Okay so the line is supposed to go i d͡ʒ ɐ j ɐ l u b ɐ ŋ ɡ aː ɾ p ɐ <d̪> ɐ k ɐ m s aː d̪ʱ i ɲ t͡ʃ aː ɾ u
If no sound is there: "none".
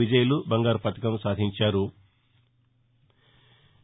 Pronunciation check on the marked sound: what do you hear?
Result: t̪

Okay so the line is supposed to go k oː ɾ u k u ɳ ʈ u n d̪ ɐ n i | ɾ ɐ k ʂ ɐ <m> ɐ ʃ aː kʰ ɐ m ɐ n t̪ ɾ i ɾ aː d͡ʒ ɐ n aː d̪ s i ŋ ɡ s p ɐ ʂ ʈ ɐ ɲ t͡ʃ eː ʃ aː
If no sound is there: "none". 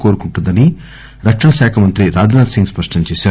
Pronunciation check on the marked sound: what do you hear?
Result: ɳ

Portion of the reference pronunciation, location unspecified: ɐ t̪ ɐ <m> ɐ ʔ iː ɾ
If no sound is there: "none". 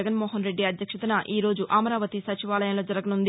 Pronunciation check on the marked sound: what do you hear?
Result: n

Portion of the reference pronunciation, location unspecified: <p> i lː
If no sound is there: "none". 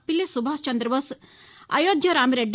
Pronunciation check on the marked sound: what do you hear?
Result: p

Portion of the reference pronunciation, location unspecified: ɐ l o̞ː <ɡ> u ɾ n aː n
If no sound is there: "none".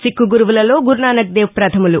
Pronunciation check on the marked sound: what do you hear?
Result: ɡ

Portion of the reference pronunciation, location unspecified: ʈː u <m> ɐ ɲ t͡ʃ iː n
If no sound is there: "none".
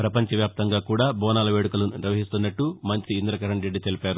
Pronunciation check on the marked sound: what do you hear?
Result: m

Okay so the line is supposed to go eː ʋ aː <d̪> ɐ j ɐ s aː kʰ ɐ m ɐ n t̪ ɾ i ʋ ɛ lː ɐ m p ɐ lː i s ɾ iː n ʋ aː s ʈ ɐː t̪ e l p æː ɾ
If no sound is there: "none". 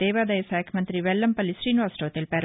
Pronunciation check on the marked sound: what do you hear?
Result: d̪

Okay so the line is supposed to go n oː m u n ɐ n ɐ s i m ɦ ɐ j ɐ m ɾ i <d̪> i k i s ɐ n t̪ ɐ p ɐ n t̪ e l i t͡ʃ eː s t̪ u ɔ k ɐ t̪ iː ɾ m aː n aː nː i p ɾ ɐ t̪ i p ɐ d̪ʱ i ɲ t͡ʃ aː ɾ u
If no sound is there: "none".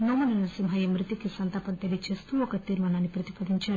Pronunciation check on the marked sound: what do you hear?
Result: t̪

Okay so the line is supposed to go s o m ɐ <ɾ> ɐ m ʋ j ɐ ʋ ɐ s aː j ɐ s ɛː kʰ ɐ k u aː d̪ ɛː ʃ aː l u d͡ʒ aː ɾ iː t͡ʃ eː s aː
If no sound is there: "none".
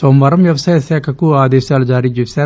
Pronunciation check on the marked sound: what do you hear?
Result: ɾ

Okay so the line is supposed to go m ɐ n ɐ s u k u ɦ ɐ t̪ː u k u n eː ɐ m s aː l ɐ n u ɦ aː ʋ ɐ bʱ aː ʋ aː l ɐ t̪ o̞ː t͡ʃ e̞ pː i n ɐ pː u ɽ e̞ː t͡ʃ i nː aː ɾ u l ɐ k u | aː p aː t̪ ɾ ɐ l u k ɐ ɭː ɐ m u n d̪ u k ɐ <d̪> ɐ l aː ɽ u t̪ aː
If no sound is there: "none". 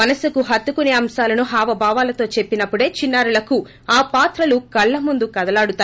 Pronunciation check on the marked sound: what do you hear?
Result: d̪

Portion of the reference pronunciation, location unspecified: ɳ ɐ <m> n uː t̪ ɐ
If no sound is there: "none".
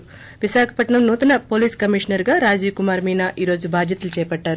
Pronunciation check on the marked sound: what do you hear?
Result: m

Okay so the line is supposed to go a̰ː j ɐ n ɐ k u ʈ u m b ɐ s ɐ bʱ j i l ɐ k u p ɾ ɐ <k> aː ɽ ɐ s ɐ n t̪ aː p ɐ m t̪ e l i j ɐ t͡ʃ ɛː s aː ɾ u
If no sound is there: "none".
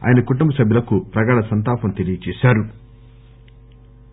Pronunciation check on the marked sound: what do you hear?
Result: ɡ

